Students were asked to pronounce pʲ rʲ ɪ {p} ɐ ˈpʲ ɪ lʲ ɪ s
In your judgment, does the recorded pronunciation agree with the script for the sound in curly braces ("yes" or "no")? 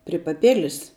yes